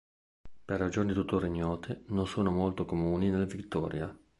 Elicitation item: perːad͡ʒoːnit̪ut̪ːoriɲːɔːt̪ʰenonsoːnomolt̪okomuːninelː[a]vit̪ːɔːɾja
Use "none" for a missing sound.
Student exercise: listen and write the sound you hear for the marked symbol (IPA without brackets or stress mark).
a